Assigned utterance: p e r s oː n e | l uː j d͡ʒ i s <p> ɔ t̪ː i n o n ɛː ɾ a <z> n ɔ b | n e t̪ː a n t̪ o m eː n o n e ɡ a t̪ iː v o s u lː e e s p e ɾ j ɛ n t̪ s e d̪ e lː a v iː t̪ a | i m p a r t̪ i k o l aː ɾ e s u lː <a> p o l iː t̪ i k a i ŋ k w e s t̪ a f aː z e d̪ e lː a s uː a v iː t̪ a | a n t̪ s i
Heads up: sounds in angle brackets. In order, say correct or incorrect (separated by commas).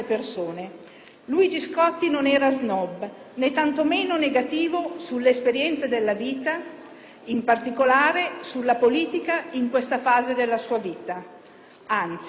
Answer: incorrect, correct, correct